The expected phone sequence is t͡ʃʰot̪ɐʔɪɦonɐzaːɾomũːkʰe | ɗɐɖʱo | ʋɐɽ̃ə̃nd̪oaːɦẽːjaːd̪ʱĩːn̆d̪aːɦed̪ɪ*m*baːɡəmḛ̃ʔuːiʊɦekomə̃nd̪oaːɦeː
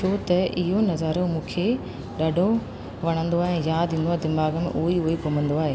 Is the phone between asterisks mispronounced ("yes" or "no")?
no